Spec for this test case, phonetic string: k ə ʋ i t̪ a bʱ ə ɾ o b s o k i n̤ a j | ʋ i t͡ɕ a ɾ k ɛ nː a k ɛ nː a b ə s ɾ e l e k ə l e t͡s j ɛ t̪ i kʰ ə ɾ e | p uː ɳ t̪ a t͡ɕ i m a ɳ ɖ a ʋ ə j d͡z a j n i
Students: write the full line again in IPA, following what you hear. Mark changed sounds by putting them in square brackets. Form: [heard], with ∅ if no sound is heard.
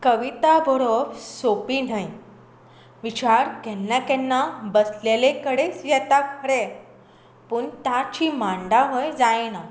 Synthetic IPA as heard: k ə ʋ i t̪ a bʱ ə ɾ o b s o [p] i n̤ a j | ʋ i t͡ɕ a ɾ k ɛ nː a k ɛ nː a b ə s [l] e l e k ə [ɽ] e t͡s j ɛ t̪ [a] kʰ ə ɾ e | p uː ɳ t̪ a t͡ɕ i m a ɳ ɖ a ʋ ə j d͡z a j n [a]

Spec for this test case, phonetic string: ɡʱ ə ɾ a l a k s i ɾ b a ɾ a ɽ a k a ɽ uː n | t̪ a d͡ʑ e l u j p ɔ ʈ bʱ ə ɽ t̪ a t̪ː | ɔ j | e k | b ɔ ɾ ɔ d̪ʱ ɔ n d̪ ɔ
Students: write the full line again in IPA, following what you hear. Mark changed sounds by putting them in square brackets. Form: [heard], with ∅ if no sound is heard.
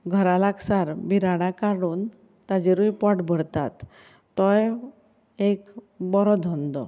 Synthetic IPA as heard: ɡʱ ə ɾ a l a k s [a] ɾ b [i] ɾ a ɽ a k a ɽ uː n | t̪ a d͡ʑ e [ɾ] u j p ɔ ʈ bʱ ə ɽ t̪ a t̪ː | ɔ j | e k | b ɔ ɾ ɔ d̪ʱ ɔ n d̪ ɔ

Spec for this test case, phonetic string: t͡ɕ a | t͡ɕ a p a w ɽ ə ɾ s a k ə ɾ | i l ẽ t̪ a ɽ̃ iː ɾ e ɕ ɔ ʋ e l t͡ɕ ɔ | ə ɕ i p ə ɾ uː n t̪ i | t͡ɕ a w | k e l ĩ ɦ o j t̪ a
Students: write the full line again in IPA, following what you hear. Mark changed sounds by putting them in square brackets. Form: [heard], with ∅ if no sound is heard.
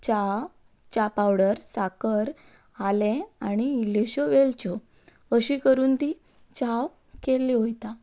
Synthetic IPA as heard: t͡ɕ a | t͡ɕ a p a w ɽ ə ɾ s a k ə ɾ | [a] l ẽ [∅] a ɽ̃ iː [l] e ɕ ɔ ʋ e l t͡ɕ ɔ | ə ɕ i [k] ə ɾ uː n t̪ i | t͡ɕ a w | k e l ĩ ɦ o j t̪ a

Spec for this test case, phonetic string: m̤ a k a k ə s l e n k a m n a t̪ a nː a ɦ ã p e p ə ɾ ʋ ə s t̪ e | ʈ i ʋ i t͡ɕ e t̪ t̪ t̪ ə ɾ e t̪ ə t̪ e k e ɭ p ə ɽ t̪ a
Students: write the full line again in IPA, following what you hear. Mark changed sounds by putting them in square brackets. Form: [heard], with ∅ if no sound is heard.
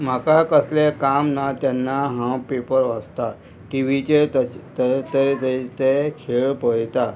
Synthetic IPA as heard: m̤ a k a k ə s l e [∅] k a m n a t̪ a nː a ɦ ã p e p ə ɾ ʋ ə s t̪ [a] | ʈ i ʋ i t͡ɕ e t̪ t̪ t̪ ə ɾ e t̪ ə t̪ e [kʰ] e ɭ p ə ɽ t̪ a

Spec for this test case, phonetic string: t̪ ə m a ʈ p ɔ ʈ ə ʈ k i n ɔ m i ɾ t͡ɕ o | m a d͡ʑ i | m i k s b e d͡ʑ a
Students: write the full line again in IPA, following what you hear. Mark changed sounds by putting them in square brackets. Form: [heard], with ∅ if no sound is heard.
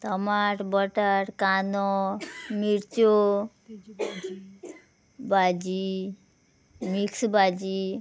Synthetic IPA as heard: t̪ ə m a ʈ [b] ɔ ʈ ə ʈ k [a] n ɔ m i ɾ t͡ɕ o | [b] a d͡ʑ i | m i k s b [a] d͡ʑ [i]

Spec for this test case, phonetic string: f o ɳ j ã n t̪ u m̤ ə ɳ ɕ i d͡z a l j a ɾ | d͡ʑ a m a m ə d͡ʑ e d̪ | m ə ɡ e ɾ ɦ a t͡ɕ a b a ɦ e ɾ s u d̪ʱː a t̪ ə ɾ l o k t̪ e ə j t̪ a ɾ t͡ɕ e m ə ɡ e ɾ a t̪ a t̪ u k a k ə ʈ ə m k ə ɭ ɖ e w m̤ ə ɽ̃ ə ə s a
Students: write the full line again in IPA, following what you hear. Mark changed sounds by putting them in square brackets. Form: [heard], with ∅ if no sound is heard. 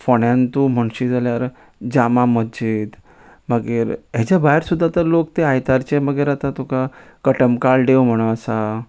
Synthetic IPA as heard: f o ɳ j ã n t̪ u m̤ ə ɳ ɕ i d͡z a l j a ɾ | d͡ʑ a m a m ə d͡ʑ [i] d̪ | m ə ɡ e ɾ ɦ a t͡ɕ a b a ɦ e ɾ s u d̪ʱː a t̪ ə ɾ l o k t̪ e [a] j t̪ a ɾ t͡ɕ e m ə ɡ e ɾ a t̪ a t̪ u k a k ə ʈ ə m k [a] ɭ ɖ e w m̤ ə ɽ̃ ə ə s a

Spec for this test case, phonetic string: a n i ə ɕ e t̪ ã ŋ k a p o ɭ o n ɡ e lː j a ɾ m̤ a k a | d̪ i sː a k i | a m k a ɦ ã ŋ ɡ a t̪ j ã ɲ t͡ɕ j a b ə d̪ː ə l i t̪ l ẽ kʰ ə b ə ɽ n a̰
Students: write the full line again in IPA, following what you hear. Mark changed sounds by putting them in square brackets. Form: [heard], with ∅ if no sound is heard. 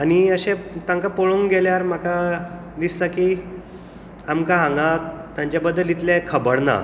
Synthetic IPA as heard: a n i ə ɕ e t̪ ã ŋ k a p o ɭ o [ŋ] ɡ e [l] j a ɾ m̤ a k a | d̪ i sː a k i | a m k a ɦ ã ŋ ɡ a t̪ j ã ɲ t͡ɕ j a b ə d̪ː ə l i t̪ l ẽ kʰ ə b ə ɽ n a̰

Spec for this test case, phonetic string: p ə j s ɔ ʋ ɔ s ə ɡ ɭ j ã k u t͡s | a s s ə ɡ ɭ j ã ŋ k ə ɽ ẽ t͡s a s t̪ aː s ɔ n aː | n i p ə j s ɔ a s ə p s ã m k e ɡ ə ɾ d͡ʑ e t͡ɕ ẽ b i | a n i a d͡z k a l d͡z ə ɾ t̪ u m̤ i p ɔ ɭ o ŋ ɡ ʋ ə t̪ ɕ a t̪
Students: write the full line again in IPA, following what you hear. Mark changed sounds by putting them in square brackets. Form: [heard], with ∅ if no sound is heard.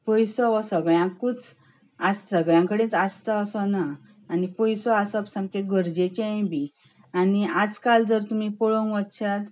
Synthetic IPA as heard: p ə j s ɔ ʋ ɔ s ə ɡ ɭ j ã k u t͡s | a s s ə ɡ ɭ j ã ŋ k ə ɽ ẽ t͡s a s t̪ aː s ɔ n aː | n i p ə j s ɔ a s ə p s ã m k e ɡ ə ɾ d͡ʑ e t͡ɕ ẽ b i | a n i a d͡z k a l d͡z ə ɾ t̪ u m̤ i p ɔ ɭ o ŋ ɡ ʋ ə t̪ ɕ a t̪

